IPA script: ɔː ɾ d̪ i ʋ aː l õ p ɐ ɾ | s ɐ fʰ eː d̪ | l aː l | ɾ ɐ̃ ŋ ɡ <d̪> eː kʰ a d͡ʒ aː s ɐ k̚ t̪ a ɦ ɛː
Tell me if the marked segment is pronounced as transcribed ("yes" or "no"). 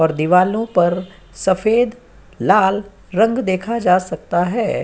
yes